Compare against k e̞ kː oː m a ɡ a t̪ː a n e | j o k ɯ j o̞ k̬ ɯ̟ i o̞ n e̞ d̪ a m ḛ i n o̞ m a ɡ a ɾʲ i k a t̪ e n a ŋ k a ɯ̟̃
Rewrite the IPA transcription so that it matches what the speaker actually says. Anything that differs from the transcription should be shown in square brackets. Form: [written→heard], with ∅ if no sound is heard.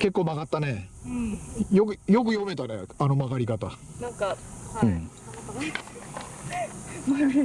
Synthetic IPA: k e̞ kː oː m a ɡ a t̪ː a n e | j o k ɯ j o̞ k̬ ɯ̟ [i→j] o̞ [n→m] e̞ [d̪→t̪] a [m→n] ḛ [i→a] n o̞ m a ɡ a ɾʲ i k a t̪ [e→a] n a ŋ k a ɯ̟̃